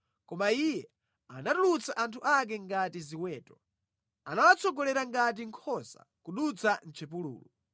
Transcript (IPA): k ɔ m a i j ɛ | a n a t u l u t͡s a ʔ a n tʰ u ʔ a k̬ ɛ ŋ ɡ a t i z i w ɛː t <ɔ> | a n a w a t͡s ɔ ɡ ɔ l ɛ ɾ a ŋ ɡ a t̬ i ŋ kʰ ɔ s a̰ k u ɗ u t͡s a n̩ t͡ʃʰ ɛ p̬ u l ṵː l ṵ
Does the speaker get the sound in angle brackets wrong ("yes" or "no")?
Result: no